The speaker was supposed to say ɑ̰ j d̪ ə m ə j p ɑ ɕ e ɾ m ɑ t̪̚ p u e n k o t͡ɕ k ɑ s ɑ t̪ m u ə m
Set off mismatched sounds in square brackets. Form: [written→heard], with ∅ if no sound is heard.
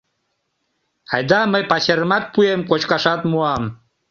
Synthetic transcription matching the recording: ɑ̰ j d̪ [ə→ɑ] m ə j p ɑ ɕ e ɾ m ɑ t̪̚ p u e [n→m] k o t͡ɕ k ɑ [s→ʃ] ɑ t̪ m u [ə→ɑ] m